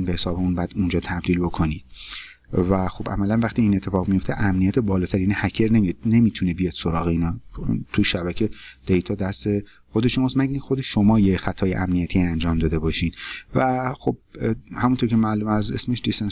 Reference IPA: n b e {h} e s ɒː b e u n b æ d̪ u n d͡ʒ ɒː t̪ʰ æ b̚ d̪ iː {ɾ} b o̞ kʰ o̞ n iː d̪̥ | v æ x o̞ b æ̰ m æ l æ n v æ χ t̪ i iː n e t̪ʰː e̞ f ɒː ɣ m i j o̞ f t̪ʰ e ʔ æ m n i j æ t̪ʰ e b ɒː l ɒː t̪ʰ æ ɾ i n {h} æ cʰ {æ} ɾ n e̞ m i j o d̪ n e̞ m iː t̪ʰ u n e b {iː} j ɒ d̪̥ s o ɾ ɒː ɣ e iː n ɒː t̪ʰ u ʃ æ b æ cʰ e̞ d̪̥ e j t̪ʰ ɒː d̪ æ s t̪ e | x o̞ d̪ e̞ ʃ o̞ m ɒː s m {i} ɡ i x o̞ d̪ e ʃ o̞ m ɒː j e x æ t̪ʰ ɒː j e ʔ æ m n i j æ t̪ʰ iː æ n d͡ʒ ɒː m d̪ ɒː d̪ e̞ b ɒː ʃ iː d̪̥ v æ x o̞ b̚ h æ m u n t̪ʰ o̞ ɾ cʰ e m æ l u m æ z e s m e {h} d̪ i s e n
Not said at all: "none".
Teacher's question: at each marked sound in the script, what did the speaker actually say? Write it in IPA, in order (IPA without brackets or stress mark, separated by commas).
h, l, h, e, i, æ, ʃ